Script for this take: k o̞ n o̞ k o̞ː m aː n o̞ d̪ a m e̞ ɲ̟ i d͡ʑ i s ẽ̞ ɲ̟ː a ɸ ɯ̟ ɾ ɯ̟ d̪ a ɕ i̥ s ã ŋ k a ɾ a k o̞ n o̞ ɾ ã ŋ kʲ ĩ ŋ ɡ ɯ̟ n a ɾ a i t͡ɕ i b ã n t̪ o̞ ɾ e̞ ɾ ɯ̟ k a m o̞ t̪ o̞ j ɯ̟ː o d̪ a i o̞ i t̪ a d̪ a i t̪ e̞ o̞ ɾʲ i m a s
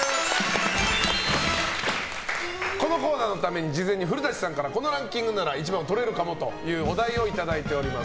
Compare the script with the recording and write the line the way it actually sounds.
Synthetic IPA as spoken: k o̞ n o̞ k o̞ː n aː n o̞ t̪ a m e̞ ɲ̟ i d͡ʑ i z ẽ̞ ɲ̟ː i ɸ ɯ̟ ɾ ɯ̟ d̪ a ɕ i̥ s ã ŋ k a ɾ a k o̞ n o̞ ɾ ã ŋ kʲ ĩ ŋ ɡ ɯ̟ n a ɾ a i t͡ɕ i b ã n t̪ o̞ ɾ e̞ ɾ ɯ̟ k a m o̞ t̪ o̞ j ɯ̟ː o d̪ a i o̞ i t̪ a d̪ a i t̪ e̞ o̞ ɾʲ i m a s